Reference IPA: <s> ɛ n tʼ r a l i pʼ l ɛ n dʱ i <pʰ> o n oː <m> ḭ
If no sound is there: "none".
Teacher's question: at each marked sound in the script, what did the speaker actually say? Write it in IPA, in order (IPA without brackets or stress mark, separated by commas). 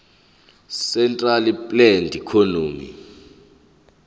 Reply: s, kʰ, m